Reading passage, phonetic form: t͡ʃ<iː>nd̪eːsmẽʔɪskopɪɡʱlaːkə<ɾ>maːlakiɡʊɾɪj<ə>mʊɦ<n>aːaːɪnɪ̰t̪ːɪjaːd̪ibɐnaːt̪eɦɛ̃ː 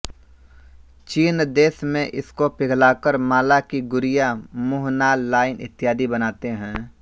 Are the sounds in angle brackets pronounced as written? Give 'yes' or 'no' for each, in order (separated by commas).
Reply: yes, yes, no, yes